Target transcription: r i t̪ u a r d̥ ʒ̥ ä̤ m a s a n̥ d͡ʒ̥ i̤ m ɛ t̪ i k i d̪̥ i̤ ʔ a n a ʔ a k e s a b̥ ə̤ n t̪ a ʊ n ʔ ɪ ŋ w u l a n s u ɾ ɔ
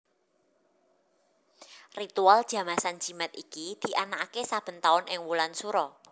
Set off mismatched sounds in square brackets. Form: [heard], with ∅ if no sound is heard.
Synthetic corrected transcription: r i t̪ u a [l] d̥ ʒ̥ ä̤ m a s a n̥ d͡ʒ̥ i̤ m ɛ t̪ i k i d̪̥ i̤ ʔ a n a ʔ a k e s a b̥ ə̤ n t̪ a ʊ n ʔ ɪ ŋ w u l a n s u ɾ ɔ